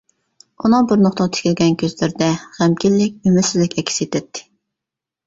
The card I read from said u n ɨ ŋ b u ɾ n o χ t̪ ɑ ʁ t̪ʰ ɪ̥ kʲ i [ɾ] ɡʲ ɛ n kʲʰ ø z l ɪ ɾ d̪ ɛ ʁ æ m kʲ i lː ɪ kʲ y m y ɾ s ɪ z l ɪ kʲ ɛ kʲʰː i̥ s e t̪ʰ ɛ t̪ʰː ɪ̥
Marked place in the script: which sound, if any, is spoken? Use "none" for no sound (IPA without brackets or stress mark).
l